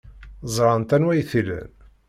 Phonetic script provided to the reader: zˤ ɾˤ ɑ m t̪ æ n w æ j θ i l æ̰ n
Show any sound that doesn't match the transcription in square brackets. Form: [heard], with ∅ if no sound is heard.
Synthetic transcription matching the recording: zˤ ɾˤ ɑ [n] t̪ æ n w æ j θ i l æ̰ n